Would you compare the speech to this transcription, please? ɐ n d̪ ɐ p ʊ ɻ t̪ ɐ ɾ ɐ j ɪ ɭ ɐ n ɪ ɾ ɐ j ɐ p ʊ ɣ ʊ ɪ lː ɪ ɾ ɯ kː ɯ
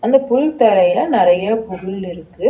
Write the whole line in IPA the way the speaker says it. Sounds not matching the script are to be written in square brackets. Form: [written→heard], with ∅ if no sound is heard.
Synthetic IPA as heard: ɐ n d̪ ɐ p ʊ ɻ t̪ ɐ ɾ ɐ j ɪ [ɭ→l] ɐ n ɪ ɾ ɐ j ɐ p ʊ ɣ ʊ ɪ [lː→l] ɪ ɾ ɯ kː ɯ